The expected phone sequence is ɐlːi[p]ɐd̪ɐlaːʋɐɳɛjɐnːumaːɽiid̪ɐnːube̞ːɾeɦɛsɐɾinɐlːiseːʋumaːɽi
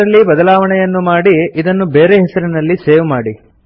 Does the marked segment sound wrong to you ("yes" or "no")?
yes